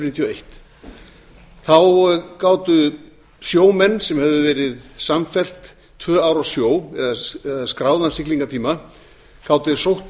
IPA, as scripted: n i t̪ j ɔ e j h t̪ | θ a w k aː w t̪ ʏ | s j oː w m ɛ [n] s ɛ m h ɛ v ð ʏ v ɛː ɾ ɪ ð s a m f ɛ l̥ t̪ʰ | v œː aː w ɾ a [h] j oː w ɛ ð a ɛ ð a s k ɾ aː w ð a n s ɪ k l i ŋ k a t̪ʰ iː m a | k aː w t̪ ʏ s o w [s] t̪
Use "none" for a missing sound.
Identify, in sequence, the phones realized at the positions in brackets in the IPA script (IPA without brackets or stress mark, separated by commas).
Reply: nː, s, h